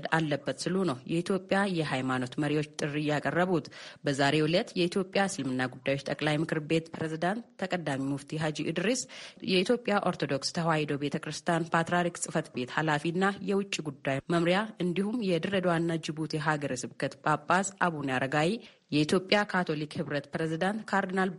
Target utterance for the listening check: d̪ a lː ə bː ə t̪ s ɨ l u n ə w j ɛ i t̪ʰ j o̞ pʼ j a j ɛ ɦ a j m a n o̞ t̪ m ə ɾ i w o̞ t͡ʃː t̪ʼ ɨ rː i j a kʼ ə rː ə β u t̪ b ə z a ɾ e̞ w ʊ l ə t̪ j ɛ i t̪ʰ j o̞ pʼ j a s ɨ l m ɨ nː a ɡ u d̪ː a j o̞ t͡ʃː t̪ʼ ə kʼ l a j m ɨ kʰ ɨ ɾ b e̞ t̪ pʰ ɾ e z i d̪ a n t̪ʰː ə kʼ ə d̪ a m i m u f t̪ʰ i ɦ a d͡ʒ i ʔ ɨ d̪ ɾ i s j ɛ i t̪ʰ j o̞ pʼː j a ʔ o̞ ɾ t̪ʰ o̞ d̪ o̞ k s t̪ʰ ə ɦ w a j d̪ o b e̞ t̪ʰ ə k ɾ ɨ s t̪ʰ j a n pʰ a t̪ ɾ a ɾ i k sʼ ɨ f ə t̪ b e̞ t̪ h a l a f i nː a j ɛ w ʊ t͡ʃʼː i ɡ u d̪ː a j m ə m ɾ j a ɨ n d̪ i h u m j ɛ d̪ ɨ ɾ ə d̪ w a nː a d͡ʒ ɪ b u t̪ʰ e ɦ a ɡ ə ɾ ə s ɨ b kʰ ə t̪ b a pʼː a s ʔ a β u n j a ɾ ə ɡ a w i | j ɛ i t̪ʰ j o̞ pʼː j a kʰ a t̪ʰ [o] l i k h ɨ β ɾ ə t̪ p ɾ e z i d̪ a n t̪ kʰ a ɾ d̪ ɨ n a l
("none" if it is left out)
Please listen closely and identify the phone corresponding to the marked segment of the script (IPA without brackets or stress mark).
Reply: o